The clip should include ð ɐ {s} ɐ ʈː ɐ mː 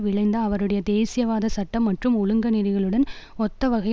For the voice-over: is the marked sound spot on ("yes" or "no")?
yes